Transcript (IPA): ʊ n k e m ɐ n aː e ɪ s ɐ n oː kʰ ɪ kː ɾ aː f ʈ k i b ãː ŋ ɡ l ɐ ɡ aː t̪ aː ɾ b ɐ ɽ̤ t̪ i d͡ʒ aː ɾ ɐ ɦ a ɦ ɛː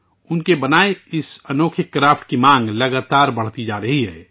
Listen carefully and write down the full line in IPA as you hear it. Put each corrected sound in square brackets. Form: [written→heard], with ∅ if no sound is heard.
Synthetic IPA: ʊ n k e [m→b] ɐ n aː e ɪ s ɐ n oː kʰ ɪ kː ɾ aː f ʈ k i [b→m] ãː ŋ ɡ l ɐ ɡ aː t̪ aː ɾ b ɐ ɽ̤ t̪ i d͡ʒ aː ɾ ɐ ɦ [a→i] ɦ ɛː